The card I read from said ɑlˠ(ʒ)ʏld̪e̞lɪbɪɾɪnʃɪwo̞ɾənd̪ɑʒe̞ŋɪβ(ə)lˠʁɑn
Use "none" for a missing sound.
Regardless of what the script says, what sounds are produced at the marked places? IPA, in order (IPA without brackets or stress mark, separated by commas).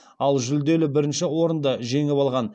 ʒ, ɑ